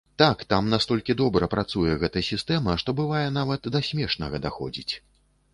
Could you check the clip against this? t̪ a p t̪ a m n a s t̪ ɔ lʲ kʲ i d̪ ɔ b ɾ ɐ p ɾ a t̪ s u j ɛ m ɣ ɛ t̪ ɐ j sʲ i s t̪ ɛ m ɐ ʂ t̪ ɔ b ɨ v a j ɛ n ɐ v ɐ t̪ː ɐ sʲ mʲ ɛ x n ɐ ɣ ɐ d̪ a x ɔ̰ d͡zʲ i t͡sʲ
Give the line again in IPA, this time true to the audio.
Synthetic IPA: t̪ a k t̪ a m n a s t̪ ɔ lʲ kʲ i d̪ ɔ b ɾ ɐ p ɾ a t̪ s u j ɛ ɣ ɛ t̪ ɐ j sʲ i s t̪ ɛ m ɐ ʂ t̪ ɔ b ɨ v a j ɛ n a v ɐ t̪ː ɐ sʲ mʲ ɛ ʂ n ɐ ɣ ɐ d̪ a x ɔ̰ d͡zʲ i t͡sʲ